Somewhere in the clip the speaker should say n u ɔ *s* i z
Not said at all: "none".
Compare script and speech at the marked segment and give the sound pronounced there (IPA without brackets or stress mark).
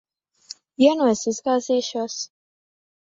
s